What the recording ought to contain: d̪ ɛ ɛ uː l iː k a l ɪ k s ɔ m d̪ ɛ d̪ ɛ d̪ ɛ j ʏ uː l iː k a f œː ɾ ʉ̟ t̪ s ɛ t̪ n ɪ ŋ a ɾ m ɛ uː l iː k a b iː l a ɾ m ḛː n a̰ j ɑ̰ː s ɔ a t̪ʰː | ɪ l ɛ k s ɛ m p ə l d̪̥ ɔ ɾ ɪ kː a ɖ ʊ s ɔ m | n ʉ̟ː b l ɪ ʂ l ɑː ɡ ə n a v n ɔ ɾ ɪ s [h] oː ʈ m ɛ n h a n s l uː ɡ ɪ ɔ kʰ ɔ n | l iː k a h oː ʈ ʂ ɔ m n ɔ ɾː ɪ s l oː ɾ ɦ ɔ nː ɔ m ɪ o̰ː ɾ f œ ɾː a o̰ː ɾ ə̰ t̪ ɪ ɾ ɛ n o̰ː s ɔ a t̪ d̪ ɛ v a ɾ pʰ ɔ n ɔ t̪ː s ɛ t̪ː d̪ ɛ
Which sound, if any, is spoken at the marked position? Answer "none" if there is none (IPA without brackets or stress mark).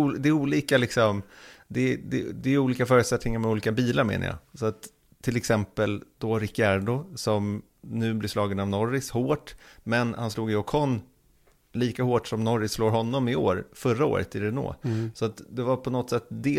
h